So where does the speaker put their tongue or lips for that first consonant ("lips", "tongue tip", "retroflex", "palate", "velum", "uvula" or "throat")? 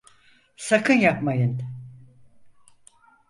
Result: tongue tip